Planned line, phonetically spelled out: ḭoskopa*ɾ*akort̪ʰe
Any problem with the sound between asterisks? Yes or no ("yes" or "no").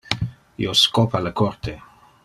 yes